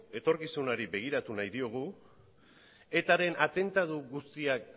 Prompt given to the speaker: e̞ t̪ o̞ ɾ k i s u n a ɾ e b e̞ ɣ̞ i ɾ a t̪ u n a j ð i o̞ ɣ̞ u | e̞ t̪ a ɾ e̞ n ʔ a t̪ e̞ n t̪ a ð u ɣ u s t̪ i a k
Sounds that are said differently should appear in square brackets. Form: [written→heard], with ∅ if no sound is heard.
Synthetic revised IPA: e̞ t̪ o̞ ɾ k i s u n a ɾ [e→i] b e̞ ɣ̞ i ɾ a t̪ u n a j ð i o̞ ɣ̞ u | e̞ t̪ a ɾ e̞ n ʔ a t̪ e̞ n t̪ a ð u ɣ u s t̪ i a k